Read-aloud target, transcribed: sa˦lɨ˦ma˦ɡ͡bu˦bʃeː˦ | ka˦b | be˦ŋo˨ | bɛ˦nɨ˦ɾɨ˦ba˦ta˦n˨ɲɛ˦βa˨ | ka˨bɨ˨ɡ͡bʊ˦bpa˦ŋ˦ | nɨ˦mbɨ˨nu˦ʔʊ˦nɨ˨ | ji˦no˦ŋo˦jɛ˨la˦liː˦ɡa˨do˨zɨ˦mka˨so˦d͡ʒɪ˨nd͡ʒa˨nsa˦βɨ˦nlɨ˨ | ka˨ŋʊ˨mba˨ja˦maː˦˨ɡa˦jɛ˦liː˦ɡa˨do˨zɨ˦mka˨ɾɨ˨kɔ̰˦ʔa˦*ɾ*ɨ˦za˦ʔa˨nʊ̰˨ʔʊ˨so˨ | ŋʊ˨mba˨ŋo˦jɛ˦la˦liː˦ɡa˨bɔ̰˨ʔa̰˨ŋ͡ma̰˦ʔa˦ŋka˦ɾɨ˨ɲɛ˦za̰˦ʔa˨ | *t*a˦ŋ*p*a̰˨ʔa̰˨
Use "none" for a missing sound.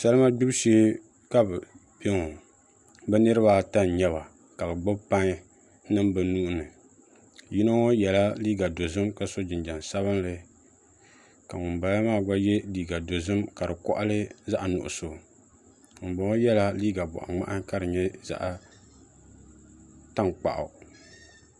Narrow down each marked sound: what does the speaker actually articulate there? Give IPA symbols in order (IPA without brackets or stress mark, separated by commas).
l, t, k͡p